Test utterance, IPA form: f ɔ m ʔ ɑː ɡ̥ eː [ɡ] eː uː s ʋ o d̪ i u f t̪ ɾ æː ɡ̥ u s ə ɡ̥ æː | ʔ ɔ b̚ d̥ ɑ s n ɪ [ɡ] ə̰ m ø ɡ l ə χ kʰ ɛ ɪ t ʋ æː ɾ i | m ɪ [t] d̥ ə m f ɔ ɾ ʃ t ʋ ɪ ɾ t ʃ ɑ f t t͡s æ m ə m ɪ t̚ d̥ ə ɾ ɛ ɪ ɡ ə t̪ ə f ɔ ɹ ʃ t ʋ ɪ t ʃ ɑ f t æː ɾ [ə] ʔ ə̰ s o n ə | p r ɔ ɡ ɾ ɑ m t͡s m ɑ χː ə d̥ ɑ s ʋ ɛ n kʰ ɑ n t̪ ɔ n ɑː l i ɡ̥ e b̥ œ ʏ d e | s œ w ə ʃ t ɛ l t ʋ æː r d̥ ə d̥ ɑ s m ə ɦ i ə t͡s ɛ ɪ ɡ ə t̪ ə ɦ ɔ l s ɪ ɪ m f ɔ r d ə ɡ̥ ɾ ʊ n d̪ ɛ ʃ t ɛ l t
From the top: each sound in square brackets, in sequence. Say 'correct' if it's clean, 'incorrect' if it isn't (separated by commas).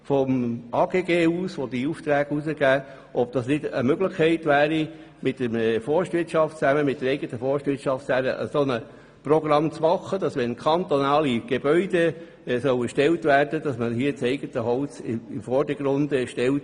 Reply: correct, incorrect, correct, correct